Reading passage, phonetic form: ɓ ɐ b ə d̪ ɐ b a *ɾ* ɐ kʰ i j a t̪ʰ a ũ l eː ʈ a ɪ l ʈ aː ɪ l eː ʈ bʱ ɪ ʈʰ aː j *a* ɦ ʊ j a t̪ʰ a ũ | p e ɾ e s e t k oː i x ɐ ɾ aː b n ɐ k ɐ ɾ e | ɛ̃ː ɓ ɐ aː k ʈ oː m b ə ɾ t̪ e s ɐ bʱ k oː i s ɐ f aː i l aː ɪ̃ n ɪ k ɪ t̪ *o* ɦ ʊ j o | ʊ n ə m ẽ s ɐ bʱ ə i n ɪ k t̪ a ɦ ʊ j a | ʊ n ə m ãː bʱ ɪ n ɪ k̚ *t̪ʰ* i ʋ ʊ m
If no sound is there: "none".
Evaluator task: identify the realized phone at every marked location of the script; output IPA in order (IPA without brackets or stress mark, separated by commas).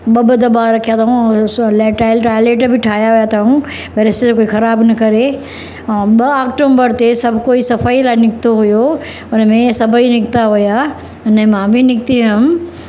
ɾ, a, o, t̪